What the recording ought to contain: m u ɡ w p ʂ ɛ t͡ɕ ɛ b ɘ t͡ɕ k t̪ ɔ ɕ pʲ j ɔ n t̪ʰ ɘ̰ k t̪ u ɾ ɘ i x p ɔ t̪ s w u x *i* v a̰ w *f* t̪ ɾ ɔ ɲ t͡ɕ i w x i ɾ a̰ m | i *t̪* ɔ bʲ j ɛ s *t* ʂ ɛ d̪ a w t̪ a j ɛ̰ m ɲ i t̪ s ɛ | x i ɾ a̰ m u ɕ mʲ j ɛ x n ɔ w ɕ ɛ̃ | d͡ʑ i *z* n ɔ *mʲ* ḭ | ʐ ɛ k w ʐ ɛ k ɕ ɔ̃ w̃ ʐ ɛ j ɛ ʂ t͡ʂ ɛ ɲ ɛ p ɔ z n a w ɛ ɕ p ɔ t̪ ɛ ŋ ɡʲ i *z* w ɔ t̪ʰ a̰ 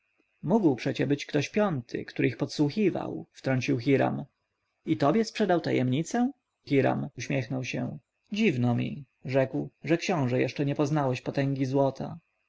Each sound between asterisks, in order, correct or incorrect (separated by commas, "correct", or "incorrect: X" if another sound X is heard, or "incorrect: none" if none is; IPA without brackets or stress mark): correct, correct, correct, incorrect: p, incorrect: v, correct, correct